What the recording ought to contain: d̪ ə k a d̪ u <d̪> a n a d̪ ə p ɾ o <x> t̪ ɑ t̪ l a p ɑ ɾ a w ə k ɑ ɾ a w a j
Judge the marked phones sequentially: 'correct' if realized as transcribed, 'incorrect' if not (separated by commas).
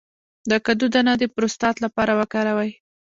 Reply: correct, incorrect